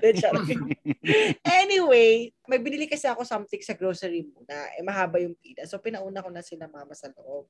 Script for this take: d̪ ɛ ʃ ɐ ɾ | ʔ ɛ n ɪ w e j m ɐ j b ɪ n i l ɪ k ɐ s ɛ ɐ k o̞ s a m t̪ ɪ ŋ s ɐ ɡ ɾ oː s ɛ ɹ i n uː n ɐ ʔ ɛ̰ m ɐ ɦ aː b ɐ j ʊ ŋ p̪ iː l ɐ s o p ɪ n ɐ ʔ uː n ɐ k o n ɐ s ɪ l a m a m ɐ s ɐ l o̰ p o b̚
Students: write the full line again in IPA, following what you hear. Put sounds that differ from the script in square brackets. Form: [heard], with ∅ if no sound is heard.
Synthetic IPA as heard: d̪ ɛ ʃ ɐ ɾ | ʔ ɛ n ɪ w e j m ɐ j b ɪ n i l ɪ k ɐ s ɛ ɐ k o̞ s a m t̪ ɪ ŋ s ɐ ɡ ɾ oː s ɛ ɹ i [m] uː n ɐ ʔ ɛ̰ m ɐ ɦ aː b ɐ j ʊ ŋ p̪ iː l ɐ s o p ɪ n ɐ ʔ uː n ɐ k o n ɐ s ɪ l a m a m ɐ s ɐ l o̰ [ʔ] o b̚